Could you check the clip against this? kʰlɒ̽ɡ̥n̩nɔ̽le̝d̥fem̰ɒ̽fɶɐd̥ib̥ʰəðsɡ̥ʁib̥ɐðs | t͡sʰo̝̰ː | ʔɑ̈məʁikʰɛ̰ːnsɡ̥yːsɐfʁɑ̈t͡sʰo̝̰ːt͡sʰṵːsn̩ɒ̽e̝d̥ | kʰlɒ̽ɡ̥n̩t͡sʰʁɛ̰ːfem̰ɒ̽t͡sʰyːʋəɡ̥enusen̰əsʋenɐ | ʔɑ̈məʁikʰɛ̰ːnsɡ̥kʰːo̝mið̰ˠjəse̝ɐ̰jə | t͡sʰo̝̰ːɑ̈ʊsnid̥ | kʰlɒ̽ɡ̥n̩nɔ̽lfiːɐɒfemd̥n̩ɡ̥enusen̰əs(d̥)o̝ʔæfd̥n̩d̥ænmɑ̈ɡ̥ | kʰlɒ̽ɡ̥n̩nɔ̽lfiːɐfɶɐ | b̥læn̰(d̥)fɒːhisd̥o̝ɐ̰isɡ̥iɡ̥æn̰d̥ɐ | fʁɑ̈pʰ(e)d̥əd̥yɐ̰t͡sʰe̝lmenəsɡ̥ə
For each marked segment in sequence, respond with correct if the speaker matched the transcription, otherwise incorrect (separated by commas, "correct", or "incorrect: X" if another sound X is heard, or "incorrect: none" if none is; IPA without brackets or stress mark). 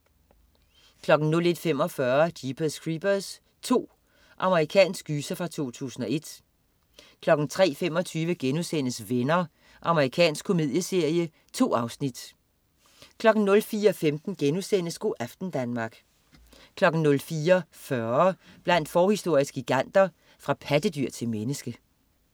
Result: incorrect: ɡ̥, correct, incorrect: æ